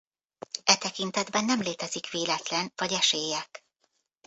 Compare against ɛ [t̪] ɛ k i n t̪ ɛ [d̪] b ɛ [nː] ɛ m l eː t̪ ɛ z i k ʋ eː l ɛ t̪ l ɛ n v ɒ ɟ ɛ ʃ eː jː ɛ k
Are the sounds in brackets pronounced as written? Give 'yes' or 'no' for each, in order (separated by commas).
yes, yes, yes